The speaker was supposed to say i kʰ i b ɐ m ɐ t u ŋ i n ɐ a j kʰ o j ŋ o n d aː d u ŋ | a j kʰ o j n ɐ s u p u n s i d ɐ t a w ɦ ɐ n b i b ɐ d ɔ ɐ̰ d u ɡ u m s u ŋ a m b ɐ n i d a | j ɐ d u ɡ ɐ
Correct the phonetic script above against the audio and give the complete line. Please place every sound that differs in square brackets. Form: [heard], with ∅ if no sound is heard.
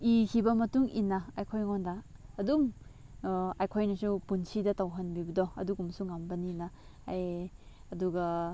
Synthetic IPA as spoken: i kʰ i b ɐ m ɐ t u ŋ i n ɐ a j kʰ o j ŋ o n d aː d u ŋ | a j kʰ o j n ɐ s u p u n s i d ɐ t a w ɦ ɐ n b i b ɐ d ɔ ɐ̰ d u ɡ u m s u ŋ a m b ɐ n i [n] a | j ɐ d u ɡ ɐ